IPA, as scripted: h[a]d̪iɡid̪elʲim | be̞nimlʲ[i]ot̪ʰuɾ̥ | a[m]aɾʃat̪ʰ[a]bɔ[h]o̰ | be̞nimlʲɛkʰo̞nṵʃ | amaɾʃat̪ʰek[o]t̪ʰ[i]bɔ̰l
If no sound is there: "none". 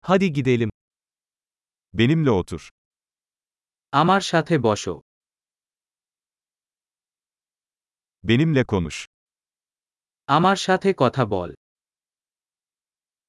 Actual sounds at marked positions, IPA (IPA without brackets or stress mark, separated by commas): a, ɛ, m, e, ʃ, ɔ, a